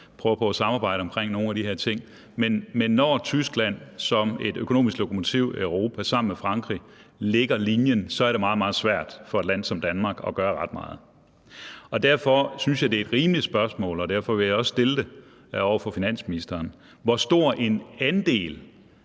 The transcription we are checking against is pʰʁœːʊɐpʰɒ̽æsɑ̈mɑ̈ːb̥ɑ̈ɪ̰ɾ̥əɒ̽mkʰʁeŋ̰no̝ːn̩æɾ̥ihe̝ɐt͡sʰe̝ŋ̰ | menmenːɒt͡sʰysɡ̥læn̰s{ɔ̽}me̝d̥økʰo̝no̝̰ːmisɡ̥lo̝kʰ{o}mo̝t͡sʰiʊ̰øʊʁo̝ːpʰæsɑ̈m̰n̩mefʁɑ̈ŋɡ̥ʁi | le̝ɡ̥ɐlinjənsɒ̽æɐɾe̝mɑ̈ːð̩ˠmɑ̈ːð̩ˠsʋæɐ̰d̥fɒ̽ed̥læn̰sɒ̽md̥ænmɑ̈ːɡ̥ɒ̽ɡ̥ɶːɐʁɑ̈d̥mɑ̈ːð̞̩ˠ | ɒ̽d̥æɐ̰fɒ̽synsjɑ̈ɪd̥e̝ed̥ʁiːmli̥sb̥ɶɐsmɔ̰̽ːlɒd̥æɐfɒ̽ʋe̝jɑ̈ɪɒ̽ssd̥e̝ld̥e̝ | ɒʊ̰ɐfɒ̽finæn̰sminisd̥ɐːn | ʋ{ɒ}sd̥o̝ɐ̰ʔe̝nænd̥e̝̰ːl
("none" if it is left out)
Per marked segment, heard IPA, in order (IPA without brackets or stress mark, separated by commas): ɒ̽, o, ɒ